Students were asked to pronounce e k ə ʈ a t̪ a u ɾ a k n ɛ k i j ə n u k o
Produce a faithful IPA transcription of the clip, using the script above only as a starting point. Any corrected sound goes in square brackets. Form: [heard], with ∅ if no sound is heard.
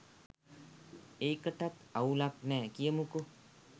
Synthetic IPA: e k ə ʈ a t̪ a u [l] a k n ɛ k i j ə [m] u k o